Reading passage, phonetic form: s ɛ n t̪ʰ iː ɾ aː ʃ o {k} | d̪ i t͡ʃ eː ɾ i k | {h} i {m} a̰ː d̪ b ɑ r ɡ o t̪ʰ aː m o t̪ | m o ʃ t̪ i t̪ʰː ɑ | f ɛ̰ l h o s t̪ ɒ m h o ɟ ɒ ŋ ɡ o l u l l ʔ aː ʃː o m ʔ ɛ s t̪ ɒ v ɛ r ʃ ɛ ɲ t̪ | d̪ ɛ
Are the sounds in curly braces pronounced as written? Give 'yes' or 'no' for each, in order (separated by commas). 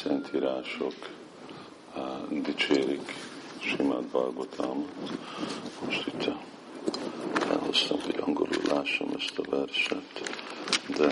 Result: yes, no, yes